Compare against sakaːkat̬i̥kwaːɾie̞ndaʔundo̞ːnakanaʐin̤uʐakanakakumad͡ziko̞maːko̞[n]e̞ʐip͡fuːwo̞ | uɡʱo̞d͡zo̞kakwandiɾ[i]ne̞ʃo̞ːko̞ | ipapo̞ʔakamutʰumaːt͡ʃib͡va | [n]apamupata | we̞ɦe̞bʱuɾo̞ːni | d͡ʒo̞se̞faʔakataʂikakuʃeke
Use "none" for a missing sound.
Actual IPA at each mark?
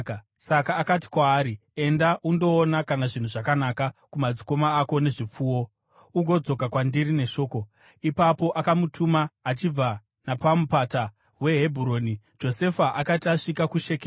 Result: n, i, n

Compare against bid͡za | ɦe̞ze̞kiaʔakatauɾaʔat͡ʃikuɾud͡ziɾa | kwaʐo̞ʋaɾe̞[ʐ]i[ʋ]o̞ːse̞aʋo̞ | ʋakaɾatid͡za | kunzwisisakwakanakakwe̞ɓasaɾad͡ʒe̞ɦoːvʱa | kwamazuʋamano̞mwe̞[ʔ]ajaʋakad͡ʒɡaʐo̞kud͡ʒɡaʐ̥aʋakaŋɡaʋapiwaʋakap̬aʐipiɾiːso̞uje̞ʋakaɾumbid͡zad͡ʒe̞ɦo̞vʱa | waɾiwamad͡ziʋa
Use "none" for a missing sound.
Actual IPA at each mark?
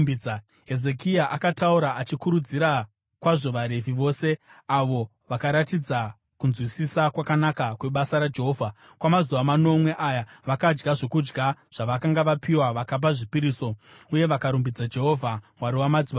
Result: v, ʋ, ʔ

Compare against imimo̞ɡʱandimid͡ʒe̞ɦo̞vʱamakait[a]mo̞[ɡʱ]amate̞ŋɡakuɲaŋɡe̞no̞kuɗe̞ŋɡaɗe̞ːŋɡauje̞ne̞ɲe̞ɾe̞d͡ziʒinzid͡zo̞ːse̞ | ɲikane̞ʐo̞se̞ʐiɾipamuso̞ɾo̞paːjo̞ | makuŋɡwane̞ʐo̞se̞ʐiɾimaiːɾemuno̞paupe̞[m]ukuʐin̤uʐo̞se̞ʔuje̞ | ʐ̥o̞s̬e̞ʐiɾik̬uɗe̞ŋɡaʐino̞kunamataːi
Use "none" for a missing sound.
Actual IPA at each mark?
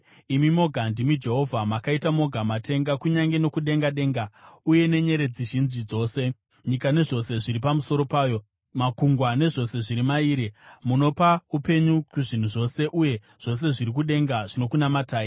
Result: a, ɡʱ, ɲ

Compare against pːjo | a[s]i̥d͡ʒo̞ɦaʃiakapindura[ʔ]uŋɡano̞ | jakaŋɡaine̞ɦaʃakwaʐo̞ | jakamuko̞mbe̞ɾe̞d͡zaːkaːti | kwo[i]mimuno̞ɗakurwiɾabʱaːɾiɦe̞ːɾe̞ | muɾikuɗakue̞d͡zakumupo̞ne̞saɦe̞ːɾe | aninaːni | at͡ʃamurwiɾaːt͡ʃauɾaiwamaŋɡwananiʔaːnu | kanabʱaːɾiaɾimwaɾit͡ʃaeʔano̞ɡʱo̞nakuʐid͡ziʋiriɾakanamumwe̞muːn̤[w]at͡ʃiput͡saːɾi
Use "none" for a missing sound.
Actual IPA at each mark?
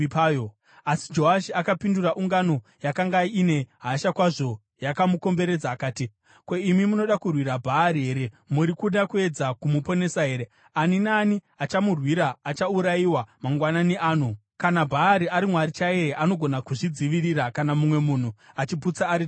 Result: s, ʔ, i, u

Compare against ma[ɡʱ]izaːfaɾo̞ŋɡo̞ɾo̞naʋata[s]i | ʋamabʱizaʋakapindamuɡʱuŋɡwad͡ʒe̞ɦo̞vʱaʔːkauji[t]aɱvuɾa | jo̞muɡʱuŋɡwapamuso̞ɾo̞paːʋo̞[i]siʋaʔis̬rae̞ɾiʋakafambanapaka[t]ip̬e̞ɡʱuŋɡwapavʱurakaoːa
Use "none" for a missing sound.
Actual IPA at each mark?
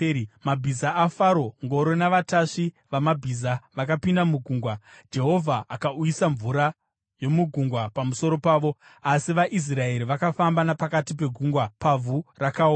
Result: bʱ, ʂ, s, a, t

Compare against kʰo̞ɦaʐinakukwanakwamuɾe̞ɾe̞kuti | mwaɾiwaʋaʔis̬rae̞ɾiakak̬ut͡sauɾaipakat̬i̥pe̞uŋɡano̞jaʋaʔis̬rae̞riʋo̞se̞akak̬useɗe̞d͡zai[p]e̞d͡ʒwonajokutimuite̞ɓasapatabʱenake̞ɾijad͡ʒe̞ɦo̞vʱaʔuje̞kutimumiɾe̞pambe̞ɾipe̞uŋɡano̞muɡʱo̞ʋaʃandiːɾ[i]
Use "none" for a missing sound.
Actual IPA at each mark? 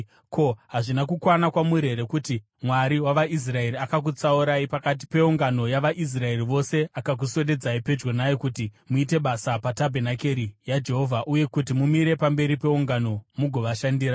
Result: p, a

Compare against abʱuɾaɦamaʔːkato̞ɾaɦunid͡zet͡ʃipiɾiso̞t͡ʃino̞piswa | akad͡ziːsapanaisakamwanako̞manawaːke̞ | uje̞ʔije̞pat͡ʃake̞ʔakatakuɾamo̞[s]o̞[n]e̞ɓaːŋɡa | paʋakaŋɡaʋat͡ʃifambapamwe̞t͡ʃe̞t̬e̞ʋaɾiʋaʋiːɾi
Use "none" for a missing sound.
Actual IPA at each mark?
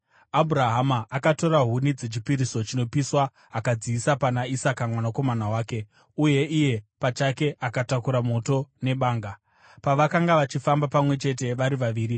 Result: t, n

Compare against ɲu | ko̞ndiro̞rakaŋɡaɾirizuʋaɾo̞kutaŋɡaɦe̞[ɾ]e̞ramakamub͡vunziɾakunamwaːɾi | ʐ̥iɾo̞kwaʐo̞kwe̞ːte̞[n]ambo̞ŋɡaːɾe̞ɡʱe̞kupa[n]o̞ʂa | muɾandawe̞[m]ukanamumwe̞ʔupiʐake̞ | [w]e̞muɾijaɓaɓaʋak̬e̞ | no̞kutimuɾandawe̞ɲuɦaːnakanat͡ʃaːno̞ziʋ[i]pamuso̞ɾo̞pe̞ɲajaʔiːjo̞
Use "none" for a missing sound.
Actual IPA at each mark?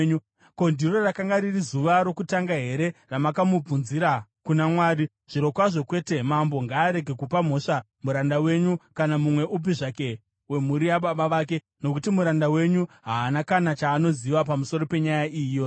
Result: ɾ, m, m, ɲ, w, a

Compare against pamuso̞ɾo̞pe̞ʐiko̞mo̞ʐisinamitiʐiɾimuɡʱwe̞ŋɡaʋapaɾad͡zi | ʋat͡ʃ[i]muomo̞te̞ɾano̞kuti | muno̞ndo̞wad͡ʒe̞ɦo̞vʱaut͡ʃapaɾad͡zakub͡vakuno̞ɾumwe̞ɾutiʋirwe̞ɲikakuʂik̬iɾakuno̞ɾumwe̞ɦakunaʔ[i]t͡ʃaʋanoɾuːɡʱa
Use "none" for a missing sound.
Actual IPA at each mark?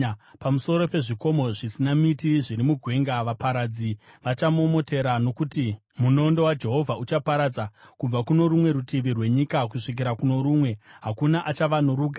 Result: a, a

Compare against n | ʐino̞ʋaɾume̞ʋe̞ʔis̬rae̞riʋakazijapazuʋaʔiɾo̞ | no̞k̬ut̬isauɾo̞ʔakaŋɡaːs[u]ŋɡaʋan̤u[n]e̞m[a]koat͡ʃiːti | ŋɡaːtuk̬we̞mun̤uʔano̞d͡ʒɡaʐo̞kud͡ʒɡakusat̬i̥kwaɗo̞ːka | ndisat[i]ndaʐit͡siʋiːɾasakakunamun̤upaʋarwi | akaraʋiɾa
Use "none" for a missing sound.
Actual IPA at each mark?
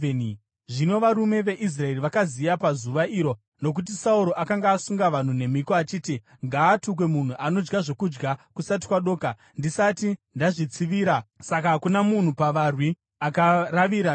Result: u, n, i, i

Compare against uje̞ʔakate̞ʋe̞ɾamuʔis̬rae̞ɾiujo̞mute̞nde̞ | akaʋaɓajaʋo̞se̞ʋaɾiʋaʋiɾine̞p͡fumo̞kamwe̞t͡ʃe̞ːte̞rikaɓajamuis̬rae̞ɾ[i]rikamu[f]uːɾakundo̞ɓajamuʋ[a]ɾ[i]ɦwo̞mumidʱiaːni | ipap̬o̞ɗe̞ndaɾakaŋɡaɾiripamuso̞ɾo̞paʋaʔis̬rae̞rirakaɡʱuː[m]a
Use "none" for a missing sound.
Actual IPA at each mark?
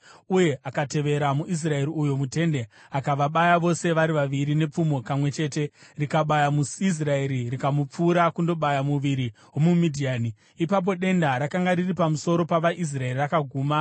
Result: i, p͡f, i, i, m

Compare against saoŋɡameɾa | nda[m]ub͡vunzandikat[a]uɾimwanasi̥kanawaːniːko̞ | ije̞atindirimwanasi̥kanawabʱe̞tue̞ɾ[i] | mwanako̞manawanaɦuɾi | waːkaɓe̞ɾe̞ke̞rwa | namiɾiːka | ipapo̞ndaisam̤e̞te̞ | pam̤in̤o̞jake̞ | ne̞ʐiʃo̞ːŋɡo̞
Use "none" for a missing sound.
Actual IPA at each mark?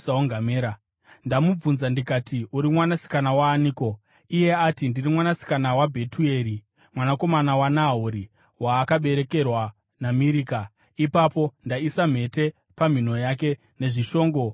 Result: m, i, i

